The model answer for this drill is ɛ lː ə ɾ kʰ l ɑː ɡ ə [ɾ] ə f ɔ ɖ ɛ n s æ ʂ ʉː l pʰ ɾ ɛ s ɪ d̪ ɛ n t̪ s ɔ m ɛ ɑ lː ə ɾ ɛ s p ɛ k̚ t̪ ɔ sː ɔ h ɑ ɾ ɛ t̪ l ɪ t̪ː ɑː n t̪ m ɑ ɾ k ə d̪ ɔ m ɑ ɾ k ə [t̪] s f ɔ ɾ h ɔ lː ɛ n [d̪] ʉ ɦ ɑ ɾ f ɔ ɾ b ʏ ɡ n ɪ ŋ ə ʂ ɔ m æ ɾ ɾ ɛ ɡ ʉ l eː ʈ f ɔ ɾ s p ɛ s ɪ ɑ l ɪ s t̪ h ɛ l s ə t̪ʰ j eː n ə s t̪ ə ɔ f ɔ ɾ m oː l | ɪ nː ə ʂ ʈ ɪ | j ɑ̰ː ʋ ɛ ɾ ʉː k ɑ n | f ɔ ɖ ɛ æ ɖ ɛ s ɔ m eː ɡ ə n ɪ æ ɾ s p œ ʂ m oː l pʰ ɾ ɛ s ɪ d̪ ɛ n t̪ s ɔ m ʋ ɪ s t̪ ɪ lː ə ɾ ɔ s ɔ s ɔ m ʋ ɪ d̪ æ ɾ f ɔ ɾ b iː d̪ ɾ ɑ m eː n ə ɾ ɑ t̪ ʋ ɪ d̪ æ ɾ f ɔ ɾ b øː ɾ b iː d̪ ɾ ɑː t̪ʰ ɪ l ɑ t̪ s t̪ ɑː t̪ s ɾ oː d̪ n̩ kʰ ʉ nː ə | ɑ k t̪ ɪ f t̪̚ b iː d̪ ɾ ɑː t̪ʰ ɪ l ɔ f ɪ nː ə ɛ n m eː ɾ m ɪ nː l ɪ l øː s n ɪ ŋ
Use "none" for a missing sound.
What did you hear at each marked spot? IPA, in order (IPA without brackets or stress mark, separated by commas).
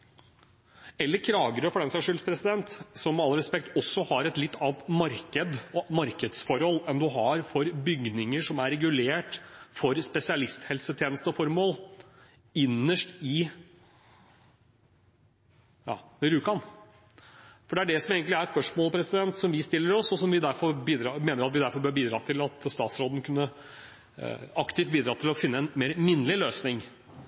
ɾ, d̪, d̪